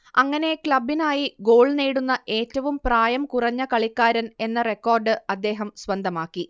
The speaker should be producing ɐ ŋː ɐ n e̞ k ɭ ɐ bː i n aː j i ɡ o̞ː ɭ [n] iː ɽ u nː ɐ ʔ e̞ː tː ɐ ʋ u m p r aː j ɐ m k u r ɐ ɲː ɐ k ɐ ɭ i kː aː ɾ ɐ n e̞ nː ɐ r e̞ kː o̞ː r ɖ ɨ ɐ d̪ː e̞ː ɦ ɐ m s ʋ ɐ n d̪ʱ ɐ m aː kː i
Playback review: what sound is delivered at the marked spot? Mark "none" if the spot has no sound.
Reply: n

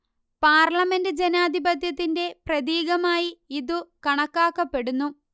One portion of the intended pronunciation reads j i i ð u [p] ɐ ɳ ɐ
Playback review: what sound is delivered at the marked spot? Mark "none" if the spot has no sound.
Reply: k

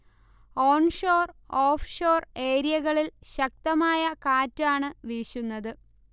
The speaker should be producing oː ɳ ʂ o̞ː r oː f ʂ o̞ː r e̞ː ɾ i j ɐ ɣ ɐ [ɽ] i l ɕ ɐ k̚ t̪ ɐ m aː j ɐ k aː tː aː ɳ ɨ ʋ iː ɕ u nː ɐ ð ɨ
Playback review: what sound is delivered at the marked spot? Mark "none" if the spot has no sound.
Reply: ɭ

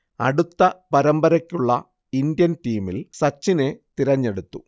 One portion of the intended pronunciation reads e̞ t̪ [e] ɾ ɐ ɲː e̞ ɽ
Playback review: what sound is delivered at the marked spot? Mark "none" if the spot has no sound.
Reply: i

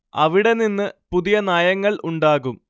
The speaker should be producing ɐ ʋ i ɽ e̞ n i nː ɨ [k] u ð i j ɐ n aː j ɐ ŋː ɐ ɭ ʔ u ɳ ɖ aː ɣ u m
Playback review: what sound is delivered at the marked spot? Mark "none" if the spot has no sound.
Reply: p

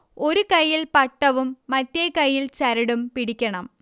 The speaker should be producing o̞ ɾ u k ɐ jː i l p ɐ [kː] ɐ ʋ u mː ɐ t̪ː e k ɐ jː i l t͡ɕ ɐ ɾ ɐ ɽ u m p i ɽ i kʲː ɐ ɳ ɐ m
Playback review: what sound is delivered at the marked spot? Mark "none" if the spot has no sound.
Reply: ʈː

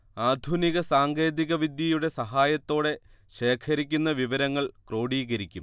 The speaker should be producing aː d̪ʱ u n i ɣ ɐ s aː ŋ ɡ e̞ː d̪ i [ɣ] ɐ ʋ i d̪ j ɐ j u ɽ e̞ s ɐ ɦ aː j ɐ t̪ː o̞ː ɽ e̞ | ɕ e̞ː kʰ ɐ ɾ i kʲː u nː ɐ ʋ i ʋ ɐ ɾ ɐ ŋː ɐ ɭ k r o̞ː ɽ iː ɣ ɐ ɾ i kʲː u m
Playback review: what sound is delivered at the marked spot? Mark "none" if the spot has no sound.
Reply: ɣ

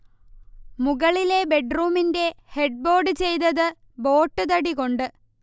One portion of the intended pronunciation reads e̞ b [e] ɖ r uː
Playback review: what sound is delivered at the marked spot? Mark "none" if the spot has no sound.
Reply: e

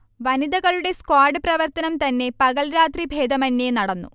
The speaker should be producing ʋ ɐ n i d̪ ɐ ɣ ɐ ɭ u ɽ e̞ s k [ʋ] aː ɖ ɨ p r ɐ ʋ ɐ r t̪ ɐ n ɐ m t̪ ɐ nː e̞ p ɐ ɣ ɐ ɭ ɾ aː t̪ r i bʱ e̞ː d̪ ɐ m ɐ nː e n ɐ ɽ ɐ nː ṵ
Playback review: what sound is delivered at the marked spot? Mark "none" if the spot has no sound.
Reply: w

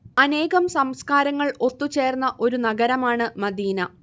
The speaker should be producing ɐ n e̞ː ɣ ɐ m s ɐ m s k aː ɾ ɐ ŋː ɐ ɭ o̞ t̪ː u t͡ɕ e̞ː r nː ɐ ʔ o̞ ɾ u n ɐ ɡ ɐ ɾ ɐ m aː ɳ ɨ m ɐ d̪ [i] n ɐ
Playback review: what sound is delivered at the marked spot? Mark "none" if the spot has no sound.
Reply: iː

